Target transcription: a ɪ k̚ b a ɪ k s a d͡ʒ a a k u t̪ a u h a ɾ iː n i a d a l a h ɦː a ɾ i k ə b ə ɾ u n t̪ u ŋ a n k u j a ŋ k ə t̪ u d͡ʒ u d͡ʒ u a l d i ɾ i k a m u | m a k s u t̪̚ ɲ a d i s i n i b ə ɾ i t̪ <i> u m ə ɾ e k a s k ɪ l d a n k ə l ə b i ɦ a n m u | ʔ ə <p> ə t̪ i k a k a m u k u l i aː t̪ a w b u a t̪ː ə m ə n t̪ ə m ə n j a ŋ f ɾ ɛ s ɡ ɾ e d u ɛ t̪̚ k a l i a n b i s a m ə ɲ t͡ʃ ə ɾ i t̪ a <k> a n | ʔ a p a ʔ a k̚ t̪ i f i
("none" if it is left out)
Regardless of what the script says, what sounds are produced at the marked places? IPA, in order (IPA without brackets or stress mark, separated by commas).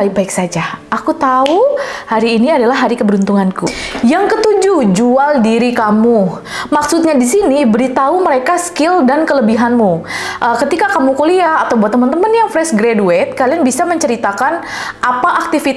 a, k, k